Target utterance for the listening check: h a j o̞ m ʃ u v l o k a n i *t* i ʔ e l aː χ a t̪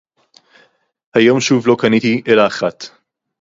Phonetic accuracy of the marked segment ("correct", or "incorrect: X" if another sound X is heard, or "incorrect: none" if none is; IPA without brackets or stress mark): correct